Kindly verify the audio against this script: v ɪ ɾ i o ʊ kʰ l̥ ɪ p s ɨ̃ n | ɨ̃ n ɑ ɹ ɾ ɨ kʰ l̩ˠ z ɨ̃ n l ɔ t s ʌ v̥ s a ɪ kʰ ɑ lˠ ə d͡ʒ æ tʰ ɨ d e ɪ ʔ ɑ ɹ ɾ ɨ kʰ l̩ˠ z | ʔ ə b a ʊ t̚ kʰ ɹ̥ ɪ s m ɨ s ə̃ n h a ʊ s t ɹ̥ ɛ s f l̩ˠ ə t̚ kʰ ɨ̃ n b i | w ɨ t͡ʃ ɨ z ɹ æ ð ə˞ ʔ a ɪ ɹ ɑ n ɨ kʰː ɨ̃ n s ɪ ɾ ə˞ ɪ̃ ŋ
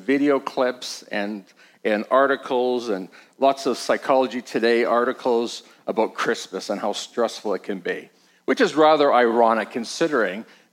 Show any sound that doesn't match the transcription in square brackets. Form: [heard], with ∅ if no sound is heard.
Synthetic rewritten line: v ɪ ɾ i o ʊ kʰ l̥ ɪ p s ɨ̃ n | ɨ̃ n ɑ ɹ ɾ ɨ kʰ l̩ˠ z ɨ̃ n l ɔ t s ʌ v̥ s a ɪ kʰ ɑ lˠ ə d͡ʒ [i] tʰ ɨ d e ɪ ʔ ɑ ɹ ɾ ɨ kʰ l̩ˠ z | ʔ ə b a ʊ t̚ kʰ ɹ̥ ɪ s m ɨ s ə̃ n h a ʊ s t ɹ̥ ɛ s f l̩ˠ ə t̚ kʰ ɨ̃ n b i | w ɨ t͡ʃ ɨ z ɹ æ ð ə˞ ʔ a ɪ ɹ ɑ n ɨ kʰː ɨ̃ n s ɪ ɾ ə˞ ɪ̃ ŋ